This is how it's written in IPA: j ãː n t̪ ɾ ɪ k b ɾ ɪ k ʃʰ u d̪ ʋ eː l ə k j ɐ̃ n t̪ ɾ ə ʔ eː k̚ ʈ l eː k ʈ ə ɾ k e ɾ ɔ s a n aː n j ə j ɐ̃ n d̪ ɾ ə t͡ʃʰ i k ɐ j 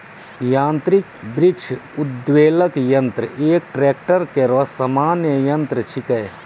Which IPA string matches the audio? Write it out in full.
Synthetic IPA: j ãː n t̪ ɾ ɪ k b ɾ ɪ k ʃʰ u d̪ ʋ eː l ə k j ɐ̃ n t̪ ɾ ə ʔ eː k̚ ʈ ɾ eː k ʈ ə ɾ k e ɾ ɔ s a m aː n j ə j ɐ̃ n t̪ ɾ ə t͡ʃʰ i k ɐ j